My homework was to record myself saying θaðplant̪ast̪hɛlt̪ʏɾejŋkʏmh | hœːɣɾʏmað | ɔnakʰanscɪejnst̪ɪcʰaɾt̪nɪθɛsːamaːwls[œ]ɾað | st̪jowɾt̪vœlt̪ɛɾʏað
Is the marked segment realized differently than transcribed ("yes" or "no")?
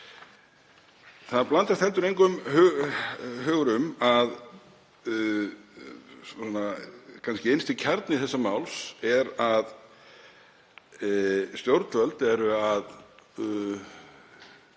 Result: yes